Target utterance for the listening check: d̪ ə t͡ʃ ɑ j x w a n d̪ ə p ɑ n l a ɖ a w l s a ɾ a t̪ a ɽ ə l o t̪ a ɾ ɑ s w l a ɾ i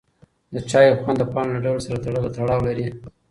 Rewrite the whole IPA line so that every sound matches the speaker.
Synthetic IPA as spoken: d̪ ə t͡ʃ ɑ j x w a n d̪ ə p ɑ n l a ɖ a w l s a ɾ a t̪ a ɽ ə l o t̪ a ɽ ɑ w l a ɾ i